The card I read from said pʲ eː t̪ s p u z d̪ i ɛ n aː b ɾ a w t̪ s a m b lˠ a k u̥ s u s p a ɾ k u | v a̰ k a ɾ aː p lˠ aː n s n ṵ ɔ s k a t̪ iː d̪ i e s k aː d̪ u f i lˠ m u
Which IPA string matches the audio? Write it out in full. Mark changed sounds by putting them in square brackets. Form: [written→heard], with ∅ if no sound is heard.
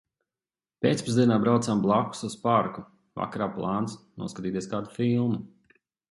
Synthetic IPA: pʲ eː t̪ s p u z d̪ i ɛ n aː b ɾ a w t̪ s a m b lˠ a k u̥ s u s p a ɾ k u | v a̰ k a ɾ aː p lˠ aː n s n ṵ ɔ s k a t̪ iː [d̪→t̪] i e s k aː d̪ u f i lˠ m u